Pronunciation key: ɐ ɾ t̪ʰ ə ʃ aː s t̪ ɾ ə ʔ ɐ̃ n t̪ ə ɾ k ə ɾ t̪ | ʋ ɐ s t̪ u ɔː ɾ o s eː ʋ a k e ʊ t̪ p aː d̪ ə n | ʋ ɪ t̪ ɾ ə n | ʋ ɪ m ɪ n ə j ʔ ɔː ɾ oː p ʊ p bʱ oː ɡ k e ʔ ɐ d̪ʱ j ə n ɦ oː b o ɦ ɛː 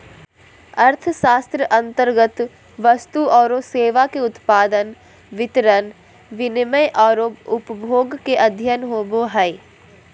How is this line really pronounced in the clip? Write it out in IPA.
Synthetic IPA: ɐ ɾ t̪ʰ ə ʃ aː s t̪ ɾ ə ʔ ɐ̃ n t̪ ə ɾ ɡ ə t̪ | ʋ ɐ s t̪ u ɔː ɾ o s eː ʋ a k e ʊ t̪ p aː d̪ ə n | ʋ ɪ t̪ ɾ ə n | ʋ ɪ n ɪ m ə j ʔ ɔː ɾ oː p ʊ p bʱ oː ɡ k e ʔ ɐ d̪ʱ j ə n ɦ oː b o ɦ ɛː